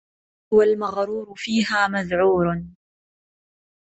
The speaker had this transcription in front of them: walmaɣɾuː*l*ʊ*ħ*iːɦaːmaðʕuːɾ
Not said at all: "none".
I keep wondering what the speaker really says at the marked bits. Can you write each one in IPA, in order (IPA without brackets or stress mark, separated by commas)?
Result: ɾ, f